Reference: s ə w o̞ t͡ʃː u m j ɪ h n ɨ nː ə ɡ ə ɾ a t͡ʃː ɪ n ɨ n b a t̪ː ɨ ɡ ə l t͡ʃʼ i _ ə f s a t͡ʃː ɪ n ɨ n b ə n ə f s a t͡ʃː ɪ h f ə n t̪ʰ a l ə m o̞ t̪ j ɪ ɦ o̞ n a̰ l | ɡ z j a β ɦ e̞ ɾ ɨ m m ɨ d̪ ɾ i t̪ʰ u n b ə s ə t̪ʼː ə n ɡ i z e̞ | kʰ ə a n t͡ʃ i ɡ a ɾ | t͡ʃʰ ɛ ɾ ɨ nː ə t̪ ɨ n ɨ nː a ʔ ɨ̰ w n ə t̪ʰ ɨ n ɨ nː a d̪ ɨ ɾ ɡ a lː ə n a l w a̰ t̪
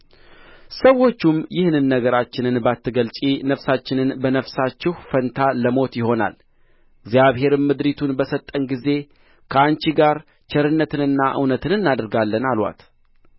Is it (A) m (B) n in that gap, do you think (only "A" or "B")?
B